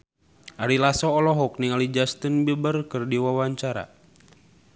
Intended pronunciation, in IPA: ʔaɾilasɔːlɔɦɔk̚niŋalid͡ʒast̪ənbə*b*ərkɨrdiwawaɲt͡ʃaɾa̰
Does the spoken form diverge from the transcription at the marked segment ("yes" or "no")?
no